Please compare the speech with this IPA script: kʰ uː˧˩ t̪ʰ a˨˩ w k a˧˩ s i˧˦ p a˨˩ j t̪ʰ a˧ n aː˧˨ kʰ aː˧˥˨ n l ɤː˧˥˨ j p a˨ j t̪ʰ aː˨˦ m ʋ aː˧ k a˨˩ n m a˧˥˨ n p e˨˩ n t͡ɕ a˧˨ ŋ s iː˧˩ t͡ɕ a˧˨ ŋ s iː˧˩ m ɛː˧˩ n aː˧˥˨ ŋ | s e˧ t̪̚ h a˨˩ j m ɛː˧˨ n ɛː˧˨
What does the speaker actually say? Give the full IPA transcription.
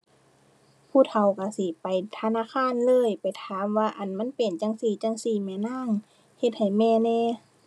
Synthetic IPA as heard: pʰ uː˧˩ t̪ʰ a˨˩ w k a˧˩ s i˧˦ p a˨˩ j t̪ʰ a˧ n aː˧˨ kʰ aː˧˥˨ n l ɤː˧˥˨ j p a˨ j t̪ʰ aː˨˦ m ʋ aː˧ ʔ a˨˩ n m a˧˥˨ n p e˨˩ n t͡ɕ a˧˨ ŋ s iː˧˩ t͡ɕ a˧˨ ŋ s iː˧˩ m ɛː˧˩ n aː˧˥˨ ŋ | h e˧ t̪̚ h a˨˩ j m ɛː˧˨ n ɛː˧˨

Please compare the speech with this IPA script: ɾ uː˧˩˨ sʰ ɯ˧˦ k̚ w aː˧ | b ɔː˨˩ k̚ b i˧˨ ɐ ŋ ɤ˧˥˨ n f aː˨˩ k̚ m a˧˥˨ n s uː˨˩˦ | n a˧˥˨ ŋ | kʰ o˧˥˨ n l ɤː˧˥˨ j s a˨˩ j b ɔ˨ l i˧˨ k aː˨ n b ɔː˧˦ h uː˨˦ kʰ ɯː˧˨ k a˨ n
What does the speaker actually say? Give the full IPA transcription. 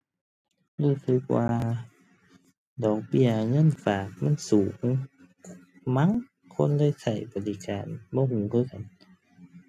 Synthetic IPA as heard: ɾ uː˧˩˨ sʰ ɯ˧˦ k̚ w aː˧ | d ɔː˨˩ k̚ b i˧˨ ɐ ŋ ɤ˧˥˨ n f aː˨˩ k̚ m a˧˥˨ n s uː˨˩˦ | m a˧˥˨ ŋ | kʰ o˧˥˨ n l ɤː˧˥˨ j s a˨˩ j b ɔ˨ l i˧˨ k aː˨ n b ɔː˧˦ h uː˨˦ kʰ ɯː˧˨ k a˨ n

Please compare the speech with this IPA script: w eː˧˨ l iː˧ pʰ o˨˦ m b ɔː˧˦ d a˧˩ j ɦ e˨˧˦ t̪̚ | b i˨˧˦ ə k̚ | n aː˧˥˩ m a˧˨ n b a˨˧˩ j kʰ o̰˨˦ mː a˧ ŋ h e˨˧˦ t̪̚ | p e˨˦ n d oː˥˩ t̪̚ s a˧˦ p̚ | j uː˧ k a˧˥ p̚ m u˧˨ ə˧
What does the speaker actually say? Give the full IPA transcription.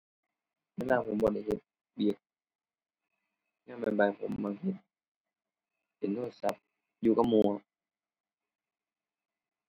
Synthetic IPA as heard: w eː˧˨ l aː˧ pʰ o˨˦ m b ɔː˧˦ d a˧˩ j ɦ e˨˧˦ t̪̚ | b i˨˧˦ ə k̚ | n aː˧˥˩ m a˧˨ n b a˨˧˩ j pʰ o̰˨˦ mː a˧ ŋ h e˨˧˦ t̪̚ | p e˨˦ n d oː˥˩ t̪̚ s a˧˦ p̚ | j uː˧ k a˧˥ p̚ m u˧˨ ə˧

